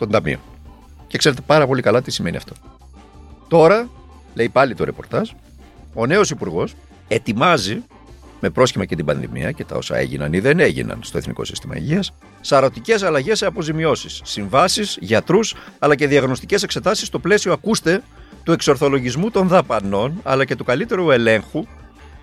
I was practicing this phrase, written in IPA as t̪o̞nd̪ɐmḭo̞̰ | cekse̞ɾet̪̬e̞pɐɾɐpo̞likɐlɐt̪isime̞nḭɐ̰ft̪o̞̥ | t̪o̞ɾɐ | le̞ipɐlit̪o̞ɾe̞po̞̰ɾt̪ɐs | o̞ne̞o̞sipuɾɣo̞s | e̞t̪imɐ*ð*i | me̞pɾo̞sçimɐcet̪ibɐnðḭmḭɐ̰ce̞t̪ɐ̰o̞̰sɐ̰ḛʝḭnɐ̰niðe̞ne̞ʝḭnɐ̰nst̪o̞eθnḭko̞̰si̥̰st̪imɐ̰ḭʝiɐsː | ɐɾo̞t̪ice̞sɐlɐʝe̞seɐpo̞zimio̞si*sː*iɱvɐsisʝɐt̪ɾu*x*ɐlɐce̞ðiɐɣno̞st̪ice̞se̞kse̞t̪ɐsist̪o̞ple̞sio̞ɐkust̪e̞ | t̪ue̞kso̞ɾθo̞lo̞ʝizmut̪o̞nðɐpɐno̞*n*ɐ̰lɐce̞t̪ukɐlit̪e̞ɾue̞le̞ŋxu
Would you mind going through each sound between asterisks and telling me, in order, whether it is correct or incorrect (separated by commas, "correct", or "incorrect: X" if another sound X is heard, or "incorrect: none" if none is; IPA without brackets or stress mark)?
incorrect: z, correct, incorrect: s, correct